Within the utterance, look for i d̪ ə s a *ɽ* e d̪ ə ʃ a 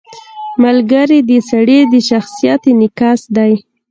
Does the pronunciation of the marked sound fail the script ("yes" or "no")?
no